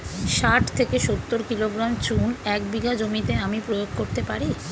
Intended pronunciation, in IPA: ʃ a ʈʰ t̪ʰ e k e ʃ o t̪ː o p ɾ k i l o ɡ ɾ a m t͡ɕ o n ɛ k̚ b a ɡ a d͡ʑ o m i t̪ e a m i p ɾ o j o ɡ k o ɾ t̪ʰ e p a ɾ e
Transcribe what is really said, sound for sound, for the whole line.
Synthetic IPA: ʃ a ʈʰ t̪ʰ e k e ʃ o t̪ː o ɾ k i l o ɡ ɾ a m t͡ɕ u n ɛ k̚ b i ɡ a d͡ʑ o m i t̪ e a m i p ɾ o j o ɡ k o ɾ t̪ e p a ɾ i

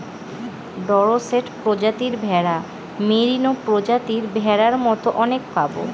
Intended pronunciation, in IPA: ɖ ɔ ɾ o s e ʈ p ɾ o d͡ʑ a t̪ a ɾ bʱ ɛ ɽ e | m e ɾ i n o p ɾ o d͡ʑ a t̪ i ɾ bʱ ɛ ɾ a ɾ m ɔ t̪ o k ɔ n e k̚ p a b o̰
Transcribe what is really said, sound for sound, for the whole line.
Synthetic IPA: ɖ ɔ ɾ o s e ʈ p ɾ o d͡ʑ a t̪ i ɾ bʱ ɛ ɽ a | m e ɾ i n o p ɾ o d͡ʑ a t̪ i ɾ bʱ ɛ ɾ a ɾ m ɔ t̪ o ʔ ɔ n e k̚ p a b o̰

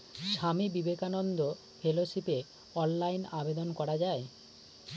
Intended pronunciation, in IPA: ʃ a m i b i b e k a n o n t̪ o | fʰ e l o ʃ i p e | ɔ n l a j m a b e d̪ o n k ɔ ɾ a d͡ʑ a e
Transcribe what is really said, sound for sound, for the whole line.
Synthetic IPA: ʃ a m i b i b e k a n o n d̪ o | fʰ e l o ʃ i p e | ɔ n l a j n a b e d̪ o n k ɔ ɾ a d͡ʑ a e

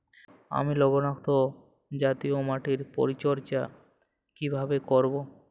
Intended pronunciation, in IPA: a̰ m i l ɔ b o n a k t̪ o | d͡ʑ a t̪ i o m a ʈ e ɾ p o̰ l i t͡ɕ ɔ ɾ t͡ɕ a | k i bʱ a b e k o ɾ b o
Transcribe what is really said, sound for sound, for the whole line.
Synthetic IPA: a̰ m i l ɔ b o n a k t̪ o | d͡ʑ a t̪ i o m a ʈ i ɾ p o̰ ɾ i t͡ɕ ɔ ɾ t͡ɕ a | k i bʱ a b e k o ɾ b o

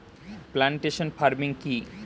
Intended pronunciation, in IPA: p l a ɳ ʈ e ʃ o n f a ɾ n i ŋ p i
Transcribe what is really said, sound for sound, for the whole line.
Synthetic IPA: p l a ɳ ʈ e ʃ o n f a ɾ m i ŋ k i

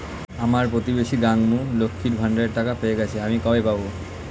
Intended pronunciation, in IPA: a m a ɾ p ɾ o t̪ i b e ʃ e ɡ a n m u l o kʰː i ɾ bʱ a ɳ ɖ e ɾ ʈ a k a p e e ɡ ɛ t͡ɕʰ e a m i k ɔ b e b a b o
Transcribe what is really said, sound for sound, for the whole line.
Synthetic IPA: a m a ɾ p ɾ o t̪ i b e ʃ i ɡ a ŋ m u l o kʰː i ɾ bʱ a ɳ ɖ e ɾ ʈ a k a p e e ɡ ɛ t͡ɕʰ e a m i k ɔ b e p a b o

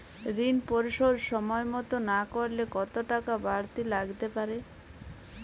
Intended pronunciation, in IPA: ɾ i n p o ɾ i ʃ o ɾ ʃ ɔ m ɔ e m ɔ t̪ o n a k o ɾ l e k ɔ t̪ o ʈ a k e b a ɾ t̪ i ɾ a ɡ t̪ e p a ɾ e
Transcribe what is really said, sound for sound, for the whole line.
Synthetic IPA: ɾ i n p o ɾ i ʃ o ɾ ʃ ɔ m ɔ e m ɔ t̪ o n a k o ɾ l e k ɔ t̪ o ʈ a k a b a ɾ t̪ i l a ɡ t̪ e p a ɾ e

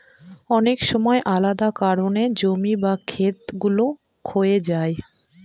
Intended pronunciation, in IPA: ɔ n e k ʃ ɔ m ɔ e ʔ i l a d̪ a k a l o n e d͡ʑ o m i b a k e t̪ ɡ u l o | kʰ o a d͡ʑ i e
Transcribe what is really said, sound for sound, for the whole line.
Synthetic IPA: ɔ n e k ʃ ɔ m ɔ e ʔ a l a d̪ a k a ɾ o n e d͡ʑ o m i b a kʰ e t̪ ɡ u l o | kʰ o e d͡ʑ a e

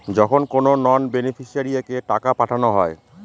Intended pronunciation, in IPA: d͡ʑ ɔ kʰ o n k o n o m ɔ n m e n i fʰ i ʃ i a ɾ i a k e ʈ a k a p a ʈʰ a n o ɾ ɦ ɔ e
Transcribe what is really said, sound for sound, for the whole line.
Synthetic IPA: d͡ʑ ɔ kʰ o n k o n o n ɔ n b e n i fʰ i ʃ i a ɾ i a k e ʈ a k a p a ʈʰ a n o ɦ ɔ e

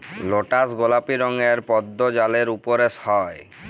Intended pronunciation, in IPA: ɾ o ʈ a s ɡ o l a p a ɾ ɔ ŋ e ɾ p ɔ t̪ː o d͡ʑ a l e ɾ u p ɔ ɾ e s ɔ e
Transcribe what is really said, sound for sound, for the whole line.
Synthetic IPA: l o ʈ a s ɡ o l a p i ɾ ɔ ŋ e ɾ p ɔ d̪ː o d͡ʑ a l e ɾ u p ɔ ɾ e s ɔ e

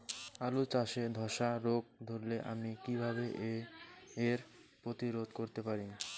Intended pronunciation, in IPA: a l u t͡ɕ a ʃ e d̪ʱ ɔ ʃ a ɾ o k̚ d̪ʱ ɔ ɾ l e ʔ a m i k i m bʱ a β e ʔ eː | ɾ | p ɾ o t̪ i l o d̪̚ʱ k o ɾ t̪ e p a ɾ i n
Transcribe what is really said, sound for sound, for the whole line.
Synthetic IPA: a l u t͡ɕ a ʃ e d̪ʱ ɔ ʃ a ɾ o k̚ d̪ʱ o ɾ l e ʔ a m i k i bʱ a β e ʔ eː | ɾ | p ɾ o t̪ i ɾ o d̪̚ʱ k o ɾ t̪ e p a ɾ i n

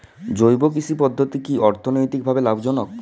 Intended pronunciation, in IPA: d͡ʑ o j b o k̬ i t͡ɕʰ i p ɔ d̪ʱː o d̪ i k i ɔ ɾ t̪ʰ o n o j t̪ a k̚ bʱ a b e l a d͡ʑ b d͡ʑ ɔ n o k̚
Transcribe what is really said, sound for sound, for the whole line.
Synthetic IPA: d͡ʑ o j b o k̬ i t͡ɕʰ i p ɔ d̪ʱː o t̪ i k i ɔ ɾ t̪ʰ o n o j t̪ i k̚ bʱ a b e l a b d͡ʑ ɔ n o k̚

